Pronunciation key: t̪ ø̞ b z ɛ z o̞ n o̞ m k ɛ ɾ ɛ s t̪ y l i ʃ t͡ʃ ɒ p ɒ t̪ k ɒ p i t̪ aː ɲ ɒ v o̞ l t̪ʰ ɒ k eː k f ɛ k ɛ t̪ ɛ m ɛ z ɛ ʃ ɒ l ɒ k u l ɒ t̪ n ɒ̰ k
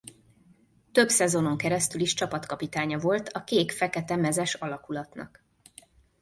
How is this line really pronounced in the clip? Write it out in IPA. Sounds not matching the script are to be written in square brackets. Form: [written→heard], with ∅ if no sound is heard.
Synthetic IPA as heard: t̪ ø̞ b [z→s] ɛ z o̞ n o̞ [m→ŋ] k ɛ ɾ ɛ s t̪ y l i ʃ t͡ʃ ɒ p ɒ t̪ k ɒ p i t̪ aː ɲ ɒ v o̞ l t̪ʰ ɒ k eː k f ɛ k ɛ t̪ ɛ m ɛ z ɛ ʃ ɒ l ɒ k u l ɒ t̪ n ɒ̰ k